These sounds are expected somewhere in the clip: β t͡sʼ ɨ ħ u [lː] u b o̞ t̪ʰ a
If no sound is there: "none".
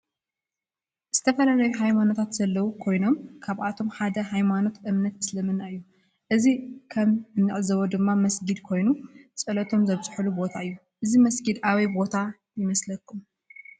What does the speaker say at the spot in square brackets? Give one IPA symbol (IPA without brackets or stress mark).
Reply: l